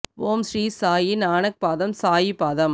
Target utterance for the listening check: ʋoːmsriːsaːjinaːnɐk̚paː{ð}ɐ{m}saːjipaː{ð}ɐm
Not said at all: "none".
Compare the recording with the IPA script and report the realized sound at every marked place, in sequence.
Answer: ð, m, ð

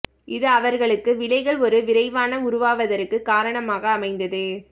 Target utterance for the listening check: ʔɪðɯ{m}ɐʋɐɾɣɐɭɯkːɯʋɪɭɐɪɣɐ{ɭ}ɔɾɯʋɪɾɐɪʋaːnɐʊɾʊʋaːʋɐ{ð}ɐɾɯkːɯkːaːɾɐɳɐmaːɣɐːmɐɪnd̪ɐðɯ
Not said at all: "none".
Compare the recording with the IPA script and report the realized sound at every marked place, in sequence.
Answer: none, ɭ, ð

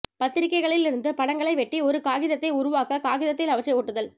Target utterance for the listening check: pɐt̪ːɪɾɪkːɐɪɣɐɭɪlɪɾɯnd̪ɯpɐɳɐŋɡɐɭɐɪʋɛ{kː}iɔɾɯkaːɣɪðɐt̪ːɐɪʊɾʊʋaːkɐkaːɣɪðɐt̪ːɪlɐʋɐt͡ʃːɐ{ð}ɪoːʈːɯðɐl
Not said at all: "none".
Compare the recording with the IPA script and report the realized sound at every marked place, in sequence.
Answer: ʈː, none

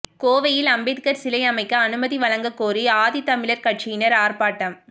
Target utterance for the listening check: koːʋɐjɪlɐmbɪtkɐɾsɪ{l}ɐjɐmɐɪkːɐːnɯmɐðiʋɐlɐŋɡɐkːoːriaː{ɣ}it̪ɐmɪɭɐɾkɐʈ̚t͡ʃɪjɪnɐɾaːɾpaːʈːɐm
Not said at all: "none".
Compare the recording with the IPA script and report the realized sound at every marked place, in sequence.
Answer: l, ð

